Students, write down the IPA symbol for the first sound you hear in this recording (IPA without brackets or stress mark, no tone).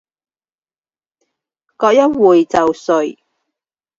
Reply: k